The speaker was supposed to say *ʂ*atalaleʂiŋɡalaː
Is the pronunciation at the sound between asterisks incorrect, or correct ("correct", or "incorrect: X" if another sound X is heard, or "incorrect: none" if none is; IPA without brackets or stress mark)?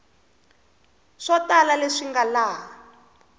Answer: correct